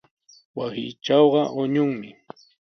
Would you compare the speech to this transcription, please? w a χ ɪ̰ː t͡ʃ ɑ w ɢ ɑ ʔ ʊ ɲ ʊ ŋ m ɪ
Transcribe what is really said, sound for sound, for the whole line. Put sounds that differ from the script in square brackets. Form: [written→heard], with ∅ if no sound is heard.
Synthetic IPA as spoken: w a [χ→s] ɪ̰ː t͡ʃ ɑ w ɢ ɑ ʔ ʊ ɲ ʊ ŋ m ɪ